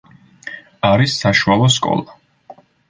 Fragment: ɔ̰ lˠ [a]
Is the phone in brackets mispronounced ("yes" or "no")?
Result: no